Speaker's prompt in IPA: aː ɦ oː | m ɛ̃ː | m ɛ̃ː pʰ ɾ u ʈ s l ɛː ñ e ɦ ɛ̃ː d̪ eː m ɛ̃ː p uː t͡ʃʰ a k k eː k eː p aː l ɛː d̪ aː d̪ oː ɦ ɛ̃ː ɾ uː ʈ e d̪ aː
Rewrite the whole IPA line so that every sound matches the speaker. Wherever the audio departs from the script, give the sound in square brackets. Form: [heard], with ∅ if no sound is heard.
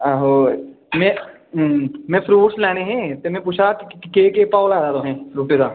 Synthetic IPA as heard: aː ɦ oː | m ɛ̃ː | m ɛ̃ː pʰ ɾ [uː] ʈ s l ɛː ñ e ɦ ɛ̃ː [t̪] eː m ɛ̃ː p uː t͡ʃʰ a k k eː k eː p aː l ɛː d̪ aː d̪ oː ɦ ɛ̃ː ɾ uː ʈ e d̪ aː

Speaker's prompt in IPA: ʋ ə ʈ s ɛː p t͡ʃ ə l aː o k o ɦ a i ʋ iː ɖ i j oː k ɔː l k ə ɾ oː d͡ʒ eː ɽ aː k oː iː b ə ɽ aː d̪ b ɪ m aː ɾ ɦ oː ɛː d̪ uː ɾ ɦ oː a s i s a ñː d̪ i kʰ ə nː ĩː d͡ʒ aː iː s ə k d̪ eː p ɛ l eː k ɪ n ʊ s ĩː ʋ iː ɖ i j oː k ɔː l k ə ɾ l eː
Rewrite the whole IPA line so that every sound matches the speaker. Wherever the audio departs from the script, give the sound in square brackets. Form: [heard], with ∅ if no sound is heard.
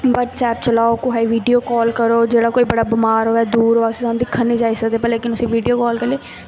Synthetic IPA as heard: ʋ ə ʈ s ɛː p t͡ʃ ə l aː o k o ɦ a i ʋ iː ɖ i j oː k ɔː l k ə ɾ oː d͡ʒ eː ɽ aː k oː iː b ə ɽ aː [∅] b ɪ m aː ɾ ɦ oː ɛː d̪ uː ɾ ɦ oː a s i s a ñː d̪ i kʰ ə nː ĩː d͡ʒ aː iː s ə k d̪ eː p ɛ l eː k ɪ n ʊ s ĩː ʋ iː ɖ i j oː k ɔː l k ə ɾ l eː

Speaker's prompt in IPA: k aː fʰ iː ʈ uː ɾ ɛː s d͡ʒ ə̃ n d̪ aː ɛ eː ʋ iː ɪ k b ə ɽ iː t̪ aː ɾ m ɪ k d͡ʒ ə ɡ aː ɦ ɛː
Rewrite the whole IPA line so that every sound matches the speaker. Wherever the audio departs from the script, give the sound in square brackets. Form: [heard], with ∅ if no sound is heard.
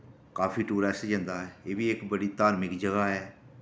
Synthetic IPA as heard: k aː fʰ iː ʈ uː ɾ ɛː s d͡ʒ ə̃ n d̪ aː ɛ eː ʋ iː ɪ k b ə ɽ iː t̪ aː ɾ m ɪ k d͡ʒ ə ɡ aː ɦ ɛː

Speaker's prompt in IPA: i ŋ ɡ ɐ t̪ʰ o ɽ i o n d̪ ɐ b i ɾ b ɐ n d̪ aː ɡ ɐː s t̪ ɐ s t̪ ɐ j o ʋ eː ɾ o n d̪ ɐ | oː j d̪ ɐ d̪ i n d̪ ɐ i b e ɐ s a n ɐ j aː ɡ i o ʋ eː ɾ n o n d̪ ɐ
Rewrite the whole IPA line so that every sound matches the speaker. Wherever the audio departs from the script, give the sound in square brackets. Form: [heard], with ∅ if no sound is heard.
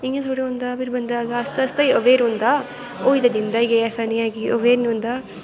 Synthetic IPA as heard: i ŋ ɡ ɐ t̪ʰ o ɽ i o n d̪ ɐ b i ɾ b ɐ n d̪ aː ɡ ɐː s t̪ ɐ s t̪ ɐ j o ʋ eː ɾ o n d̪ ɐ | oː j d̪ ɐ d̪ i n d̪ ɐ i [ɡ] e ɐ s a n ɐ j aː ɡ i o ʋ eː ɾ n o n d̪ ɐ

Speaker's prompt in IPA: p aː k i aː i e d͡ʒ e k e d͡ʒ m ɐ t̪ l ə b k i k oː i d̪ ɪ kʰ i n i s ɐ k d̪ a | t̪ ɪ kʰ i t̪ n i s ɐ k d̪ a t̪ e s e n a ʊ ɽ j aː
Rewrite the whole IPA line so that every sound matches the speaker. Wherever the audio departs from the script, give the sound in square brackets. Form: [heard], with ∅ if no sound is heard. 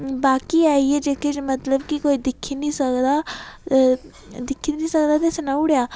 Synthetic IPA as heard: [b] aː k i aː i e d͡ʒ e k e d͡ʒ m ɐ t̪ l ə b k i k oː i d̪ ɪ kʰ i n i s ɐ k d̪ a | [d̪] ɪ kʰ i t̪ n i s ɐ k d̪ a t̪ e s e n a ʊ ɽ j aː

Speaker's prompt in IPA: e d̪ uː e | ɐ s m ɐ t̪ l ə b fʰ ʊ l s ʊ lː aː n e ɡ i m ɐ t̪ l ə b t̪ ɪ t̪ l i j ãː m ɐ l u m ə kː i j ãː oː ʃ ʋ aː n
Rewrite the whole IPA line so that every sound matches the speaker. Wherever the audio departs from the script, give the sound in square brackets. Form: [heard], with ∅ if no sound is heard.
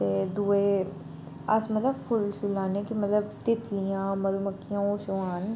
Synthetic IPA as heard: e d̪ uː e | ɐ s m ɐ t̪ l ə b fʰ ʊ l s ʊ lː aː n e [k] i m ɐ t̪ l ə b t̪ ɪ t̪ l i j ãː m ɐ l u m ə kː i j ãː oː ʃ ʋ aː n

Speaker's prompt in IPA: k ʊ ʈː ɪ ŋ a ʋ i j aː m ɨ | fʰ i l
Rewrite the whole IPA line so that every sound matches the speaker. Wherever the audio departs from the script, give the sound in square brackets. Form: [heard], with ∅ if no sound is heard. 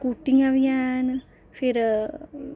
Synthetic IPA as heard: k [u] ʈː [i] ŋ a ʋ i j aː [n] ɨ | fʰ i [ɾ]

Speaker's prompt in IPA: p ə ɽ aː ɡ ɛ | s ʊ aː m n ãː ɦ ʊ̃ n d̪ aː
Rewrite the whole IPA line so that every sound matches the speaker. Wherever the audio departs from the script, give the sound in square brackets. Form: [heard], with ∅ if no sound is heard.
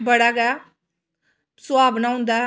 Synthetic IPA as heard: [b] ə ɽ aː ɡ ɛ | s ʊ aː [b] n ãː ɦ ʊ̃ n d̪ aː

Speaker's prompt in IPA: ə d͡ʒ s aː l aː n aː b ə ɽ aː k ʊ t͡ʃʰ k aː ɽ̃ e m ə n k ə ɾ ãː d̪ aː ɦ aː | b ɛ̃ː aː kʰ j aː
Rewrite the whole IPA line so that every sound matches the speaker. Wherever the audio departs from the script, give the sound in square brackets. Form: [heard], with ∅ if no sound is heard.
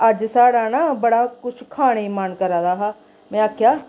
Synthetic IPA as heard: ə d͡ʒ s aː [ɽ] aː n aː b ə ɽ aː k ʊ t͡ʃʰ [kʰ] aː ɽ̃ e m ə n k ə ɾ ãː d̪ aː ɦ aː | [m] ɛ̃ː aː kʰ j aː

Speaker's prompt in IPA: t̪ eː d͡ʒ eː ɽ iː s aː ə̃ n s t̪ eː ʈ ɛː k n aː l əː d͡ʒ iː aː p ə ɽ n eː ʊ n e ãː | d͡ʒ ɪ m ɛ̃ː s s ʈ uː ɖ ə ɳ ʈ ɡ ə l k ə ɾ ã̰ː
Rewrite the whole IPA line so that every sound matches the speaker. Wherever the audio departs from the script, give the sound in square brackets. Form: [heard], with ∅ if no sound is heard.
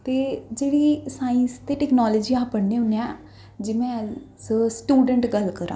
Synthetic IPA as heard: t̪ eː d͡ʒ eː ɽ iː s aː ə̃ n s t̪ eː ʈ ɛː k n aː l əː d͡ʒ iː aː p ə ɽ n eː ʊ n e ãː | d͡ʒ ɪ m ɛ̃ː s s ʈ uː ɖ ə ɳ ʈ ɡ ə l k ə ɾ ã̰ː

